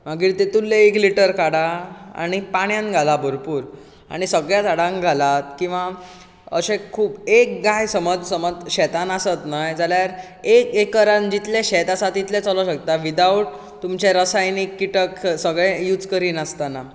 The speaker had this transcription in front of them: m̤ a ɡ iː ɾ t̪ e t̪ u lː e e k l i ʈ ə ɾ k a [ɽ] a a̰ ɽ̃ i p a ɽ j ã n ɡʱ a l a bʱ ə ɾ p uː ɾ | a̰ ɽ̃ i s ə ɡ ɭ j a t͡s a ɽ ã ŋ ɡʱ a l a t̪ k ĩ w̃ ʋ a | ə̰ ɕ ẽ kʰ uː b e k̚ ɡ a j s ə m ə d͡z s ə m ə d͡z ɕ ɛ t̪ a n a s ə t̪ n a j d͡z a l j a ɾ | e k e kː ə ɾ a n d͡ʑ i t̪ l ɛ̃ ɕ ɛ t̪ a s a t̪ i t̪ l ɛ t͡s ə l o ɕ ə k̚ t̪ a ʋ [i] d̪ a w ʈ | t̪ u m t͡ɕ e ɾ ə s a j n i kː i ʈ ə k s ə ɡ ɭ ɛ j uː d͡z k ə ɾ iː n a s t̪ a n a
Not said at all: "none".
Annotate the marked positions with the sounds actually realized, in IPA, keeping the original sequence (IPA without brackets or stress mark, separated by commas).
ɽ, i